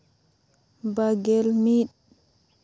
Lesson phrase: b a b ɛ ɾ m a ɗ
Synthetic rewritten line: b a ɡ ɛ l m i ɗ